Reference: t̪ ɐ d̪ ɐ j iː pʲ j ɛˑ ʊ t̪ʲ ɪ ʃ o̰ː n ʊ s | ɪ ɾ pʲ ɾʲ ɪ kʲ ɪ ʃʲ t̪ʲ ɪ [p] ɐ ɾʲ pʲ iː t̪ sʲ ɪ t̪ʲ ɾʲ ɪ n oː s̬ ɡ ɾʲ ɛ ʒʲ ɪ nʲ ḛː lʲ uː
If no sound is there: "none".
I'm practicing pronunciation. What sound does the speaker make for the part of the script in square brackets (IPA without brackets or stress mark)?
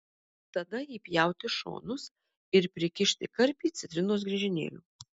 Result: k